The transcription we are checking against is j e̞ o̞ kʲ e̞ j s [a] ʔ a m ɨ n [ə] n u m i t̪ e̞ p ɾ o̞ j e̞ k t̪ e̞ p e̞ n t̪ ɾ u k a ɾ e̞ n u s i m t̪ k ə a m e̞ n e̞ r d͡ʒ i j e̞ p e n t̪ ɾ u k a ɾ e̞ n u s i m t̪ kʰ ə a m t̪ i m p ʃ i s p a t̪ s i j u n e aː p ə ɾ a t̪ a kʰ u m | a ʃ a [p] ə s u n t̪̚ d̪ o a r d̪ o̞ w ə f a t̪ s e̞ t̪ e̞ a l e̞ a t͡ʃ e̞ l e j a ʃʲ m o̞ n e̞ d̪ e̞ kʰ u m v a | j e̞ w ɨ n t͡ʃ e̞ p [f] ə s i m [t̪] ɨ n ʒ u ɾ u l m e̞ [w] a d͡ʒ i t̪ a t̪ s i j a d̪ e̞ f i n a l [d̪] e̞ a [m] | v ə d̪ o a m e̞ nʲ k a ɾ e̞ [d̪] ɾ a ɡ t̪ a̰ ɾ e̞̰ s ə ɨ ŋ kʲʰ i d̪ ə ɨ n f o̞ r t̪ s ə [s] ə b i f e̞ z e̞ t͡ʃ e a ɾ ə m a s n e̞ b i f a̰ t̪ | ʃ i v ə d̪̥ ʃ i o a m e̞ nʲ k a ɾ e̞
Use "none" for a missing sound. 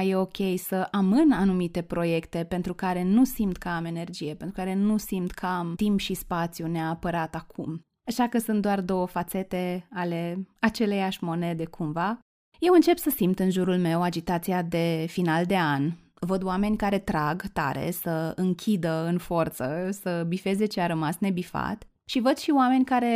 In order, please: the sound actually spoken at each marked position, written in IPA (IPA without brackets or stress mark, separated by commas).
ə, a, k, s, t̪, w, d̪, n, t̪, s